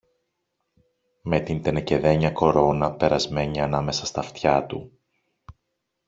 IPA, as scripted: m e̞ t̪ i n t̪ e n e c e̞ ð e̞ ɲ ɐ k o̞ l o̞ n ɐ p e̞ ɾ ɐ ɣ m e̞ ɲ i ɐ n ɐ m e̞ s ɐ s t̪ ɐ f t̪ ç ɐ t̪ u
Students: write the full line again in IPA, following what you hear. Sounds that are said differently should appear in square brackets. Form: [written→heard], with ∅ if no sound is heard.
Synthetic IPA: m e̞ t̪ i n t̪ e n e c e̞ ð e̞ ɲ ɐ k o̞ [l→ɾ] o̞ n ɐ p e̞ ɾ ɐ [ɣ→z] m e̞ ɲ i ɐ n ɐ m e̞ s ɐ s t̪ ɐ f t̪ ç ɐ t̪ u